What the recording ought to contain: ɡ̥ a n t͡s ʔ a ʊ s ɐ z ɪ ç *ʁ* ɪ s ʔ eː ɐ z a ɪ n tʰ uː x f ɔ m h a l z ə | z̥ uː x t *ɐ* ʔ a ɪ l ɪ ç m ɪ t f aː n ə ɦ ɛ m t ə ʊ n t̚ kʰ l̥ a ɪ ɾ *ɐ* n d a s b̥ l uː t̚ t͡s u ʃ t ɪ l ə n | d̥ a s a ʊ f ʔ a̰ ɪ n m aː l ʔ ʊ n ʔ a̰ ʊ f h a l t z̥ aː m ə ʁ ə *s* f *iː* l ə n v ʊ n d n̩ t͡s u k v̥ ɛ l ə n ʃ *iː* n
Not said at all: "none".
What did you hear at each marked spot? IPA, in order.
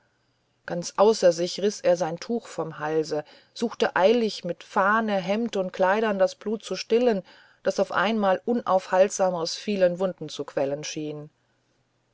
ʁ, ə, ɐ, s, iː, iː

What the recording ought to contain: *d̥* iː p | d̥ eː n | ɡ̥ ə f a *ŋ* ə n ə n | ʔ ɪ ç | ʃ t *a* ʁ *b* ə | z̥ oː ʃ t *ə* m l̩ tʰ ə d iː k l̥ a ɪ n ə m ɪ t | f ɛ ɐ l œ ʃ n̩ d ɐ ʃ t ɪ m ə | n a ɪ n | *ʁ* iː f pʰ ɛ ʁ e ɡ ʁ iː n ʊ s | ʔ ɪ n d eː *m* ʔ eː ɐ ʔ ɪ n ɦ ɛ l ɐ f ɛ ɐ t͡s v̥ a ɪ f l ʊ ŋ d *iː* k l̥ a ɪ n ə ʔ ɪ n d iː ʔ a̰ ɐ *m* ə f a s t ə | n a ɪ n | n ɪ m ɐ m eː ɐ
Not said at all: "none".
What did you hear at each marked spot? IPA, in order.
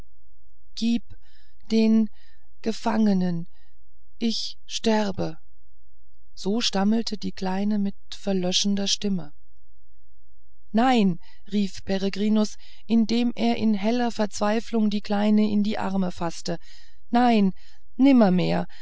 ɡ̥, ŋ, ɛ, b, a, ʁ, m, iː, m

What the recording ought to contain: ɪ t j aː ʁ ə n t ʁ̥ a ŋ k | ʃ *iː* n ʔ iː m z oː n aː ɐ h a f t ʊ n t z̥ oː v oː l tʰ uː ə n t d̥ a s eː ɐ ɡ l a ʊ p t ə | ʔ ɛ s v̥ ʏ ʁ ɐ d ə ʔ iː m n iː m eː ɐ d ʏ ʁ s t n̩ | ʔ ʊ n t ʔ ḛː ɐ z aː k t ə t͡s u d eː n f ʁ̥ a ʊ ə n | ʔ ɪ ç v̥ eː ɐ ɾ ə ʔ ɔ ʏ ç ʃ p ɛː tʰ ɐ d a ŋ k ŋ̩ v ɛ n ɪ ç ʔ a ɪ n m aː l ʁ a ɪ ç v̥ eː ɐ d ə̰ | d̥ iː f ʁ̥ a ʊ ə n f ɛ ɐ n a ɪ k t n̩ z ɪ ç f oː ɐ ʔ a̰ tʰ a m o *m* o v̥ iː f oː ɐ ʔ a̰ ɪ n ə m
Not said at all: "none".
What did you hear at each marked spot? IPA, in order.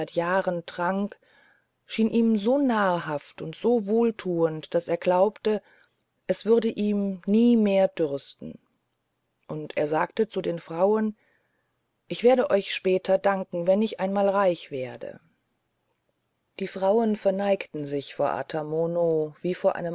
iː, n

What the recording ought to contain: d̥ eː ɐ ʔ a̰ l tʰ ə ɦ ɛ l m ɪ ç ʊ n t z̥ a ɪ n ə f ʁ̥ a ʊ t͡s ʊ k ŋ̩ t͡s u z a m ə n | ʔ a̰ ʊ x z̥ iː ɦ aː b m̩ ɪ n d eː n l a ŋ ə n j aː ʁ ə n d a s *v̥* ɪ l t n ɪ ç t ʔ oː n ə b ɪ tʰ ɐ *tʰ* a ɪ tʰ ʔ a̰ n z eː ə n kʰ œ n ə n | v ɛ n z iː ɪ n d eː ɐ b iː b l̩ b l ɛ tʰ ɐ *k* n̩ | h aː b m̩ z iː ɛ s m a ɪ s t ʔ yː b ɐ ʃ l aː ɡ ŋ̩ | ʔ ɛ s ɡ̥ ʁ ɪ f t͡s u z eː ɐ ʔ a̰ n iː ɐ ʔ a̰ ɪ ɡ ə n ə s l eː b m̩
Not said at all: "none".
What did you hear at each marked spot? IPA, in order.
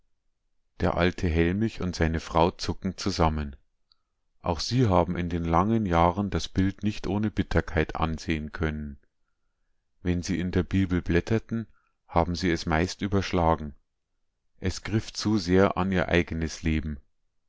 b̥, kʰ, t

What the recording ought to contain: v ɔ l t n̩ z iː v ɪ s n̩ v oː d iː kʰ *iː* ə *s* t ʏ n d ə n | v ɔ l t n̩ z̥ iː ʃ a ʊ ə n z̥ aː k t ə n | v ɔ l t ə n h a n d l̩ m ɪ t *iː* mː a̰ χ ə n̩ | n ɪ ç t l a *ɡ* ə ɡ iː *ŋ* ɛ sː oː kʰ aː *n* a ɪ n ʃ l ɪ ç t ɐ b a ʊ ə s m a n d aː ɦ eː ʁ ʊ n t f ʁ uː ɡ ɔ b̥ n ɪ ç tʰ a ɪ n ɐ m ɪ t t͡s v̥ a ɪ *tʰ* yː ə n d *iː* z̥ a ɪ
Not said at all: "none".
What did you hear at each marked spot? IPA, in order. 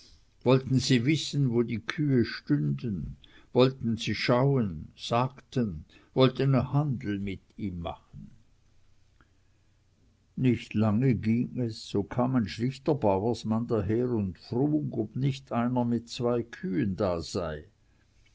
yː, ʃ, iː, ŋ, ŋ, m, kʰ, aː

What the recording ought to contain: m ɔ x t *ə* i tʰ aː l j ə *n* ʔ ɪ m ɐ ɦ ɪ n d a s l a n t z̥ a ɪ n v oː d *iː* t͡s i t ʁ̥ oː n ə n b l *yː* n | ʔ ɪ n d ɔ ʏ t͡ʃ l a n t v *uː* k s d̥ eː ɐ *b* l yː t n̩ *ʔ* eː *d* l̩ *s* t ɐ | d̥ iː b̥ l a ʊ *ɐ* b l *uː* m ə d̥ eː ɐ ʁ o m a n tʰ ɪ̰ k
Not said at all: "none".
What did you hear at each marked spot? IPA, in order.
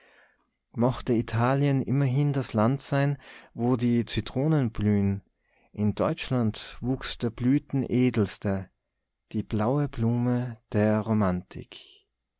ə, n, iː, yː, uː, b, ʔ, d, s, ə, uː

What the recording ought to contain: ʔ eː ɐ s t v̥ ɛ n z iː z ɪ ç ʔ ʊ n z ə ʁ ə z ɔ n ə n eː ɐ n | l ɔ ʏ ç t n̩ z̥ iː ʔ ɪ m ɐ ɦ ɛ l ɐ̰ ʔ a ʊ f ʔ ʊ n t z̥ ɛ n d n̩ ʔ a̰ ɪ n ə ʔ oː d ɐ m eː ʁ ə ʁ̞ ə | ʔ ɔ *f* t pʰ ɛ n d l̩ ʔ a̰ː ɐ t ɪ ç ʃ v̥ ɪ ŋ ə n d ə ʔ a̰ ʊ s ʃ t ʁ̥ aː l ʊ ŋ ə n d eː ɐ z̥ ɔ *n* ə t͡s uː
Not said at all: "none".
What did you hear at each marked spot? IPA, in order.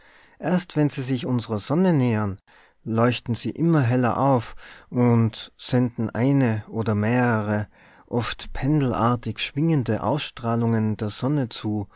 f, n

